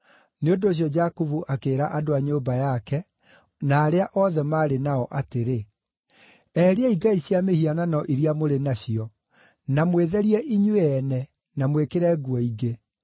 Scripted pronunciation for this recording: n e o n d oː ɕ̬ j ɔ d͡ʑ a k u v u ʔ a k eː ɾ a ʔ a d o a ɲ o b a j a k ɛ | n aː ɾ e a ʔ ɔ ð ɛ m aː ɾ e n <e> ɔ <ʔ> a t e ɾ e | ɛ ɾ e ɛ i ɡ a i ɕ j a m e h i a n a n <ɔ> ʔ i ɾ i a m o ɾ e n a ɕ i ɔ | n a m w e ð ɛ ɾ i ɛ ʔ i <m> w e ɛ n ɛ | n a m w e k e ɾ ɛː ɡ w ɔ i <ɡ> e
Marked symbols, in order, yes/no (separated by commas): no, yes, yes, no, yes